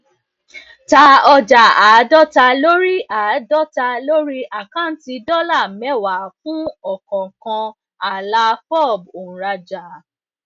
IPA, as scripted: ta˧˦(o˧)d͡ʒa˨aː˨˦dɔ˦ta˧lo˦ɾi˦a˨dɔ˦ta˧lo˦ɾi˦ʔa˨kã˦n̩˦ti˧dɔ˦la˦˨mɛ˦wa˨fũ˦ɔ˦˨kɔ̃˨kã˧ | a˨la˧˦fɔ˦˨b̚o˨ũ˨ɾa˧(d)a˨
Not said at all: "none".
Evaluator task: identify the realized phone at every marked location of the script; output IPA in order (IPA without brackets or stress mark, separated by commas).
ɔ˧, d͡ʒ